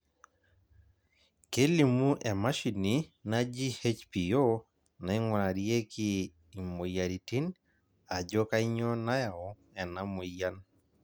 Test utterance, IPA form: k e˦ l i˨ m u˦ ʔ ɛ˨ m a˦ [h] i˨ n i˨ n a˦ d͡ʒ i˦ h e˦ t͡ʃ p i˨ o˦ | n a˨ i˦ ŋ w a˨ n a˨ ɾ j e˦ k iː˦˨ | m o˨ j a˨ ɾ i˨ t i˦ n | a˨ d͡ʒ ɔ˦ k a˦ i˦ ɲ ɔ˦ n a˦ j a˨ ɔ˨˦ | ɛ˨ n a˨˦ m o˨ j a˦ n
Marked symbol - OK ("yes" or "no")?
no